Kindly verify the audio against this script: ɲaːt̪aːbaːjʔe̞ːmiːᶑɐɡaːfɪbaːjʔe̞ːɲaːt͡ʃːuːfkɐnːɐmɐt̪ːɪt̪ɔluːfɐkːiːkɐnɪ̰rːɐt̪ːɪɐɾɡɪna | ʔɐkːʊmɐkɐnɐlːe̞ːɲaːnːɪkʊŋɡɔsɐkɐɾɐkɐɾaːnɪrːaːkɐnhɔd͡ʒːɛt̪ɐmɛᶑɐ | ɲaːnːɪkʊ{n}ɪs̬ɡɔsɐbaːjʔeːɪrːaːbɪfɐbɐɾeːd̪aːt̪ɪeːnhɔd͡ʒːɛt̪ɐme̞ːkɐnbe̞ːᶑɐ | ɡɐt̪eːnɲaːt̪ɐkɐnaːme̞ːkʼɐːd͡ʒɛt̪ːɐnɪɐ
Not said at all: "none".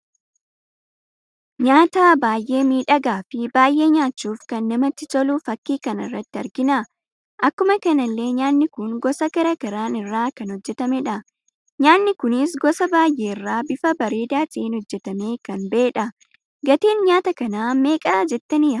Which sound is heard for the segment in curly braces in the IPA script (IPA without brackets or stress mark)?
n